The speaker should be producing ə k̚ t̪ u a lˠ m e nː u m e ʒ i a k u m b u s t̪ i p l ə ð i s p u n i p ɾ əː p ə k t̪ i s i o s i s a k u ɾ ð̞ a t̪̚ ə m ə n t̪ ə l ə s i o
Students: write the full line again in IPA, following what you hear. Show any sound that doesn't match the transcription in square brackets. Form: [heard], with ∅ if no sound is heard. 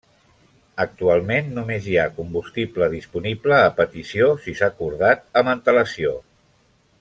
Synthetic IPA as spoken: ə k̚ t̪ u a lˠ m e nː u m e [z] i a k u m b u s t̪ i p l ə ð i s p u n i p [l] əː p ə [∅] t̪ i s i o s i s a k u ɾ ð̞ a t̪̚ ə m ə n t̪ ə l ə s i o